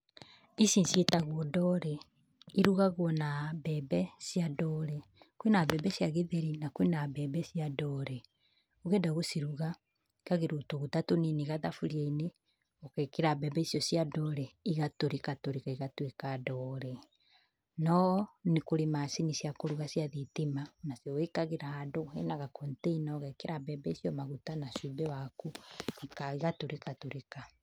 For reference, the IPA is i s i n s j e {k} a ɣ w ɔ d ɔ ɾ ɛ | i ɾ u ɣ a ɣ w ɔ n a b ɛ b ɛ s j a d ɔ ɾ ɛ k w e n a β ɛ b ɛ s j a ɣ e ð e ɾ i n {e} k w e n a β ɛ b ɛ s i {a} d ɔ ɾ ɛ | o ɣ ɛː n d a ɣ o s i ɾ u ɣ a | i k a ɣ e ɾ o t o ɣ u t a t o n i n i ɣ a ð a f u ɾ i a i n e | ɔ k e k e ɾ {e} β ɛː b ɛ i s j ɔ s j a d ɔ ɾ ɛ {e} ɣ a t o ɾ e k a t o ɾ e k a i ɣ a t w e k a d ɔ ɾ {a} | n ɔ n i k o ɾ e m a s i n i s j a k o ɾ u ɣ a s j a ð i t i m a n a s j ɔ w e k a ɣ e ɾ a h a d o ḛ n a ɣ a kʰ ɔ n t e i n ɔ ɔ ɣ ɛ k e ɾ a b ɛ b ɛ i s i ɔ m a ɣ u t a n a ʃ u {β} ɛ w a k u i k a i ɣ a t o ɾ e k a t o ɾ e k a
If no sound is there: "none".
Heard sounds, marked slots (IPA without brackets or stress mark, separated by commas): t, a, a, a, i, ɛ, b